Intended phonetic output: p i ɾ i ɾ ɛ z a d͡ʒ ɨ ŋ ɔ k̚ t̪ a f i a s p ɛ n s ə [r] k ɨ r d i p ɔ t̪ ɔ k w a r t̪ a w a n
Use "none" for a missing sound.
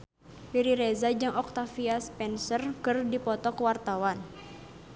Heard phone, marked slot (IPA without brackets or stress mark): r